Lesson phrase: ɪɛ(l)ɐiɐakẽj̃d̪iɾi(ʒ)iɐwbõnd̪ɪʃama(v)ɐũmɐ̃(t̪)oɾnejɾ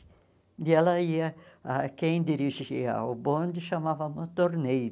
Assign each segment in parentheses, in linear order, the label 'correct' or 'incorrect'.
correct, correct, correct, correct

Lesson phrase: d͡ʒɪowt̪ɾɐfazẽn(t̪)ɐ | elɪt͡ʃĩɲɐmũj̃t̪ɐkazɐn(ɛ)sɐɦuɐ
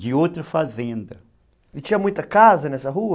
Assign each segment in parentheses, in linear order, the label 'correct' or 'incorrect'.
incorrect: d̪, correct

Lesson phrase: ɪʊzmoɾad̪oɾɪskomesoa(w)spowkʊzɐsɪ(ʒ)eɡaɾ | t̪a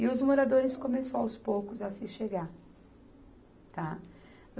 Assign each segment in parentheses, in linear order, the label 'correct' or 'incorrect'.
correct, incorrect: ʃ

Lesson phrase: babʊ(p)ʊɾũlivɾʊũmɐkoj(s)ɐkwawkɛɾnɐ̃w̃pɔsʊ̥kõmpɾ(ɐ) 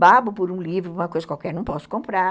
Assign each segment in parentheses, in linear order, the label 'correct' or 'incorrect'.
correct, incorrect: z, incorrect: a

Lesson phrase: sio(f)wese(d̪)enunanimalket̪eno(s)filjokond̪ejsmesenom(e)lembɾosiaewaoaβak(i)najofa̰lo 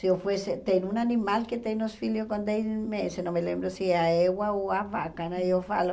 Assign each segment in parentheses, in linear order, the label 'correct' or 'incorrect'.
correct, incorrect: t̪, correct, correct, incorrect: a

